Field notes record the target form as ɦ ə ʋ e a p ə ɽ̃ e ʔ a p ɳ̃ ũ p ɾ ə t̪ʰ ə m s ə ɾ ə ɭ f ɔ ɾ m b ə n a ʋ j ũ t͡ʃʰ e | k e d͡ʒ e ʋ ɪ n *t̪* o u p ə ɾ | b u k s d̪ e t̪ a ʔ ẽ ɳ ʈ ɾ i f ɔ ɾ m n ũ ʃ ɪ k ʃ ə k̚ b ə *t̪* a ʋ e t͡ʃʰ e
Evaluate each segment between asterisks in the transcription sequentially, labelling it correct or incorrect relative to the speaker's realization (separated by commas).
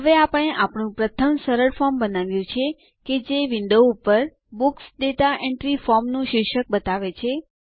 incorrect, correct